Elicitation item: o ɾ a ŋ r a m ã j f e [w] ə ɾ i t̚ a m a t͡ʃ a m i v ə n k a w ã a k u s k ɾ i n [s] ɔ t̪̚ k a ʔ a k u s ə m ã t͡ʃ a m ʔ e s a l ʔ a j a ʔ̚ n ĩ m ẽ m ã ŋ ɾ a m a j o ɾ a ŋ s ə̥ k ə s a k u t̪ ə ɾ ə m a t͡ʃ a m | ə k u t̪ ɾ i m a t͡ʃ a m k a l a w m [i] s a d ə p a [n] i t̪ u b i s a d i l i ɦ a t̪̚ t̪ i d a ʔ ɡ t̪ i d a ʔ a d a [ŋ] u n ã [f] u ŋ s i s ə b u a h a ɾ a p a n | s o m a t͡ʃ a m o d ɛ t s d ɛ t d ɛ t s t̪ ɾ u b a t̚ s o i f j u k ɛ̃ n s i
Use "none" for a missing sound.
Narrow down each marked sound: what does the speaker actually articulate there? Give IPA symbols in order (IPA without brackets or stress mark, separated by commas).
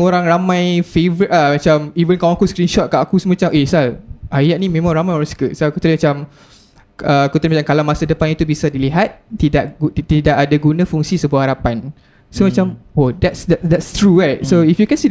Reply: v, ʃ, a, n, ɡ, f